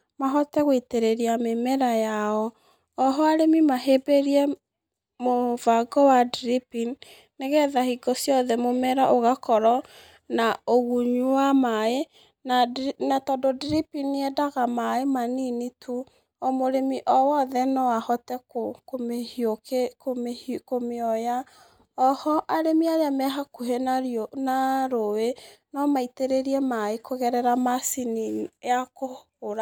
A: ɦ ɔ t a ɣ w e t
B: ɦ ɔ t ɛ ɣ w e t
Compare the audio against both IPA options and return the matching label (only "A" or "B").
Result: B